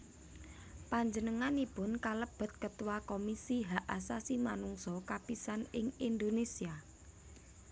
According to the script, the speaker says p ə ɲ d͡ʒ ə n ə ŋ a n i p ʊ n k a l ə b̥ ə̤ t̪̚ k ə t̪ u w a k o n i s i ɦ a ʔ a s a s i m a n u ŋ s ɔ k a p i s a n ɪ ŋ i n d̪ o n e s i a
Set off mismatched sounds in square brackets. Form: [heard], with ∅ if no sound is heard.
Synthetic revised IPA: p [a] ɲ d͡ʒ ə n ə ŋ a n i p ʊ n k a l ə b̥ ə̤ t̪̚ k ə t̪ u w a k o [m] i s i ɦ a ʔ a s a s i m a n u ŋ s ɔ k a p i s a n ɪ ŋ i n d̪ o n e s i a